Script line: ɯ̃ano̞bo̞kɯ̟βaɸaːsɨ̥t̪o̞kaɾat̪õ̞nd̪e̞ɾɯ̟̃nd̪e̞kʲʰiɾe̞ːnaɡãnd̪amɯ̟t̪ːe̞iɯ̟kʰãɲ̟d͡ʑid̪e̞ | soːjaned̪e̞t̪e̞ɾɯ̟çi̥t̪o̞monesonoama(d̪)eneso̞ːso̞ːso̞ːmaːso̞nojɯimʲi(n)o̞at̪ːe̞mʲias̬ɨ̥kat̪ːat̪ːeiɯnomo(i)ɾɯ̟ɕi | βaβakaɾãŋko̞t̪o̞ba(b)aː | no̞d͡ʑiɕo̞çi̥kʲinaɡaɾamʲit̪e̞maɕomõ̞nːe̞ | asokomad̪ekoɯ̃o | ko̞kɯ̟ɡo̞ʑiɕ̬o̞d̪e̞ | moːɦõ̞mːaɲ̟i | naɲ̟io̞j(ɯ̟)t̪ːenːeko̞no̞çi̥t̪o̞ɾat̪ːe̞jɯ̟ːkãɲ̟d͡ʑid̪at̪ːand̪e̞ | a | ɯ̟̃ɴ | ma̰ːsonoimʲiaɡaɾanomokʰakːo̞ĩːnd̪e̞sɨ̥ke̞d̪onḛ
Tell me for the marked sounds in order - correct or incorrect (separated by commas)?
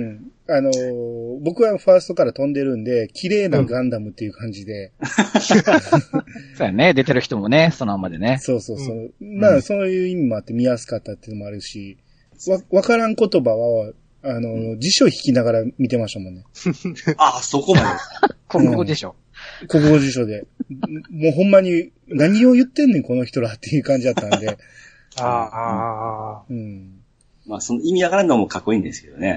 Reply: correct, incorrect, incorrect, incorrect, correct